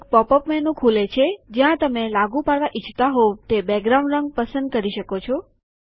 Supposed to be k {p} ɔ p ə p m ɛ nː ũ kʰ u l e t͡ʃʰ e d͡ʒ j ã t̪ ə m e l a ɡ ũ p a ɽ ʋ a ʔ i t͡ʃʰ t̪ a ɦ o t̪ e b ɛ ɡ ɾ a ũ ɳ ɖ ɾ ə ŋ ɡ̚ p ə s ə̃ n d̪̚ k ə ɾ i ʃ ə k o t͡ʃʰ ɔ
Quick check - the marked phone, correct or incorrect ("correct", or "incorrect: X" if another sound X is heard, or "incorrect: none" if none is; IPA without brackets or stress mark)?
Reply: correct